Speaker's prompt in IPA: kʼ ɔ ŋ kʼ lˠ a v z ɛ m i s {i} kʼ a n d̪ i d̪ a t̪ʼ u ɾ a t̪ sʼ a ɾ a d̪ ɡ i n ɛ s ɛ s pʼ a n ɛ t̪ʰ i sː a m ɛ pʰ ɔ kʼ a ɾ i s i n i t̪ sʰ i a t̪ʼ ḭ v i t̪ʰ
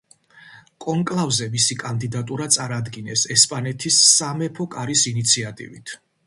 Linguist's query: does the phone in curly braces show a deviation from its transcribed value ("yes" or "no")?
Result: no